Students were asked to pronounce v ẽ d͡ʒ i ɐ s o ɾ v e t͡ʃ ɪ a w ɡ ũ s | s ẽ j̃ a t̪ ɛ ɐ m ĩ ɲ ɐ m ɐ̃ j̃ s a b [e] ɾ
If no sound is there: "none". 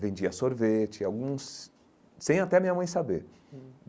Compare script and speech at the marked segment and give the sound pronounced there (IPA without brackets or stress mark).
e